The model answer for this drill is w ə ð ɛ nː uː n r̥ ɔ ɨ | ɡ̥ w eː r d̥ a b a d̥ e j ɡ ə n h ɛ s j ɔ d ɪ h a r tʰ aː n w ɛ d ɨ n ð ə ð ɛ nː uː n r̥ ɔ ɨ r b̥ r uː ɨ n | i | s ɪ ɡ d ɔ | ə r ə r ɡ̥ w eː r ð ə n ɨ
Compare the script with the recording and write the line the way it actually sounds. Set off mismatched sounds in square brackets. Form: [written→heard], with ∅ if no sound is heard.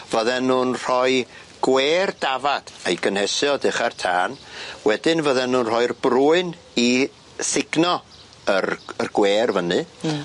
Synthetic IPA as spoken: [w→v] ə ð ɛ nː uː n r̥ ɔ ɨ | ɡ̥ w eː r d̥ a [b→v] a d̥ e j ɡ ə n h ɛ s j ɔ d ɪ [h→χ] a r tʰ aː n w ɛ d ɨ n [ð→v] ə ð ɛ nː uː n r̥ ɔ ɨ r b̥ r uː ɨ n | i | s ɪ ɡ [d→n] ɔ | ə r ə r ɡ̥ w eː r [ð→v] ə n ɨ